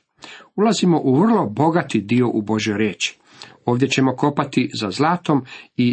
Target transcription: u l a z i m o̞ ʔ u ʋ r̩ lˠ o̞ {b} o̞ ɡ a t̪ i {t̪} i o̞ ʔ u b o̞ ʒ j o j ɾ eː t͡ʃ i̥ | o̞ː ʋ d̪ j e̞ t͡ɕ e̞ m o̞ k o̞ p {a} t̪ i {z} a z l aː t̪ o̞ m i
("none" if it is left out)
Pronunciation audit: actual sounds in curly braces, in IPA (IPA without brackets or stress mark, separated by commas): b, d̪, a, z